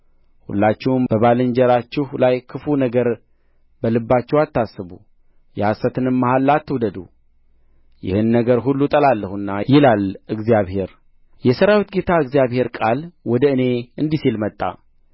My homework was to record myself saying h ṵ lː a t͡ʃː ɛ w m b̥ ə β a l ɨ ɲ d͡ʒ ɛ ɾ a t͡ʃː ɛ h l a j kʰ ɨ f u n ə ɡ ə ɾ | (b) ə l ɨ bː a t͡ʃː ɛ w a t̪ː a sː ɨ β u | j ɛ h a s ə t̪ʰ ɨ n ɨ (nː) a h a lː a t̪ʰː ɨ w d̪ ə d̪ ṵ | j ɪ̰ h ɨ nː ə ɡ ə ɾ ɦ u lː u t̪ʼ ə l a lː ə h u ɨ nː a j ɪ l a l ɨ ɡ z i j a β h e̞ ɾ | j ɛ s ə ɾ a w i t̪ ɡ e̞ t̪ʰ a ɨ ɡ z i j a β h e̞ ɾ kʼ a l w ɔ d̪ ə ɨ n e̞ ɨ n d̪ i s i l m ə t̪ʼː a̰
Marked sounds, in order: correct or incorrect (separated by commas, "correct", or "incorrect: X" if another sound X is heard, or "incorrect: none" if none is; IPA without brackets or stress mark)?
correct, incorrect: mː